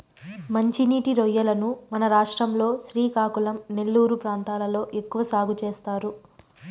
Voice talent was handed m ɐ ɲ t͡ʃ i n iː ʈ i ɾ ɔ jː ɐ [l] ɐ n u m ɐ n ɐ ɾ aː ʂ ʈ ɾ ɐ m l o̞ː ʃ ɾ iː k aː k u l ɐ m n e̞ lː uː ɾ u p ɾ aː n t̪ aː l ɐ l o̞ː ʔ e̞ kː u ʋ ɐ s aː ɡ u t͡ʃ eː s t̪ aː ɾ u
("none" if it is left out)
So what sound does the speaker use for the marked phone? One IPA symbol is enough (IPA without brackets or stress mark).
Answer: l